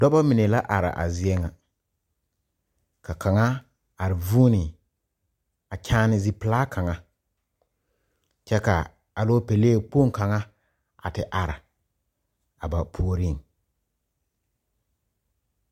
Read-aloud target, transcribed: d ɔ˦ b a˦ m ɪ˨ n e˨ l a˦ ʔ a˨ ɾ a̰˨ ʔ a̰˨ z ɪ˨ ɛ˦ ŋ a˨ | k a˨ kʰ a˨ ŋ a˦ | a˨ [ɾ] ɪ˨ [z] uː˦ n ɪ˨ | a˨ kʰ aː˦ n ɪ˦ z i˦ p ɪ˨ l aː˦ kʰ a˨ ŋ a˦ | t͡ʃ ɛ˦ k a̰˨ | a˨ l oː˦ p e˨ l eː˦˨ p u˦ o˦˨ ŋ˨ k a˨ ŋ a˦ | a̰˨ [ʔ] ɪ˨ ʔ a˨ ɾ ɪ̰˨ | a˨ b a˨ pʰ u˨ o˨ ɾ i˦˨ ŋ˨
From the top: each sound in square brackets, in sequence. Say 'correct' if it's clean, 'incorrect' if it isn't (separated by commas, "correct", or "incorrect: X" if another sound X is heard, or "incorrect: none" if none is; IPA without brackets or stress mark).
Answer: correct, incorrect: v, incorrect: t